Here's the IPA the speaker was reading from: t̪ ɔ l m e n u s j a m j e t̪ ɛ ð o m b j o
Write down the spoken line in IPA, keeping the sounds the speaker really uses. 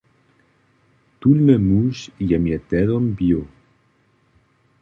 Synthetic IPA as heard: t̪ u l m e m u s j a m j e t̪ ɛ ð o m b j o